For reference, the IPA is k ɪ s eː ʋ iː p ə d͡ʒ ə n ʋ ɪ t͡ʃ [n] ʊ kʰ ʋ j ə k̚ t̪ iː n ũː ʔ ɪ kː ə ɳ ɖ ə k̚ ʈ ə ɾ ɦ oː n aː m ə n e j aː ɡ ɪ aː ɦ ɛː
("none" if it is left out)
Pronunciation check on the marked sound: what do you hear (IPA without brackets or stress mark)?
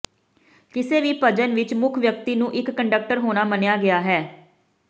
m